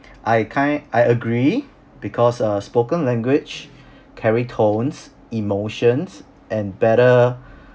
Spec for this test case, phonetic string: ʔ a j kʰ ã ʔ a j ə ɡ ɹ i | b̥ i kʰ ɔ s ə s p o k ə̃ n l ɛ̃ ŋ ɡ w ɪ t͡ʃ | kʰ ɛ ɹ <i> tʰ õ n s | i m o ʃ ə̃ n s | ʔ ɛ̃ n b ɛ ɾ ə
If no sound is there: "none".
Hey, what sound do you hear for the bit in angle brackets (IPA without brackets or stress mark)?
i